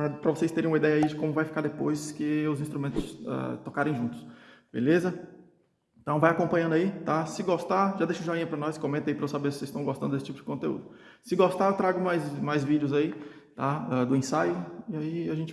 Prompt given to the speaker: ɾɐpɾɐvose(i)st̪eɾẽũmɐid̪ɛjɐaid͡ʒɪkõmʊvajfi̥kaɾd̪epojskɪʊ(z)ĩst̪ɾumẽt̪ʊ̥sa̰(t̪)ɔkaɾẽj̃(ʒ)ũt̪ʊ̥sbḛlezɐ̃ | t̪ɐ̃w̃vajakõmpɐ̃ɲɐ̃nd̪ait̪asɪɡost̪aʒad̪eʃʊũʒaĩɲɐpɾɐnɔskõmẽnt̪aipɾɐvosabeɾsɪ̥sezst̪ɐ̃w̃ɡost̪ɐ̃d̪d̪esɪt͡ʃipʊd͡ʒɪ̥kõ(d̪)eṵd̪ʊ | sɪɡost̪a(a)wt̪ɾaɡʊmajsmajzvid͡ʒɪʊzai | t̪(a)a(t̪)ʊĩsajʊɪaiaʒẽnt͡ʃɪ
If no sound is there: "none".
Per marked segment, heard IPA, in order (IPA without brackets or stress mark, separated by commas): j, z, t̪, ʒ, t̪, e, a, d̪